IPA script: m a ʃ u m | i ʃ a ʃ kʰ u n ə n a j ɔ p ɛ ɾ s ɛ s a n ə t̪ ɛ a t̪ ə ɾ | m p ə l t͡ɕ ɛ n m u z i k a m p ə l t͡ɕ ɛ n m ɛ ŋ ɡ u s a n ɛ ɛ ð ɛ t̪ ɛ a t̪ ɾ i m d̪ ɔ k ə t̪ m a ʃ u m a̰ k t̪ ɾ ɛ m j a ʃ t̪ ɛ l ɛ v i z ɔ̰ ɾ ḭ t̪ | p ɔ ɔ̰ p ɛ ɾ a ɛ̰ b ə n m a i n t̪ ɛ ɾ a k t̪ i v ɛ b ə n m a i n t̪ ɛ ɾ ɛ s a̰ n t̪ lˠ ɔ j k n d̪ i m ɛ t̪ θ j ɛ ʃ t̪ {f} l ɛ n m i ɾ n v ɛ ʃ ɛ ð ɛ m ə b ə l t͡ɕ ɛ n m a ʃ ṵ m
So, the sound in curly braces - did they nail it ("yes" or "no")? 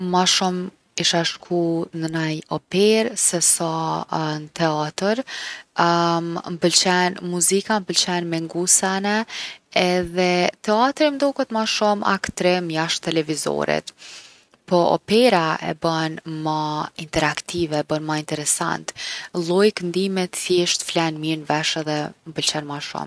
yes